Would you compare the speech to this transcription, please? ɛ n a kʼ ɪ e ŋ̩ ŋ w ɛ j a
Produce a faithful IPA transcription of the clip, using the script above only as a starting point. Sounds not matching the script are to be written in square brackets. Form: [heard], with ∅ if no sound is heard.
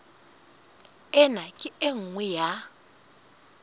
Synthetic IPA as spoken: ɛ n a kʼ ɪ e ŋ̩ ŋ w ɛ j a